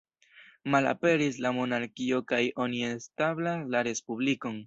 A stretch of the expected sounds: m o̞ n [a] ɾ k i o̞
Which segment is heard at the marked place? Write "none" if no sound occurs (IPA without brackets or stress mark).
a